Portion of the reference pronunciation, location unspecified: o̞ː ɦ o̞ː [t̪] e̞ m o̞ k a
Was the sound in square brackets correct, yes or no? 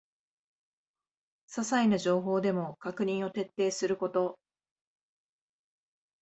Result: no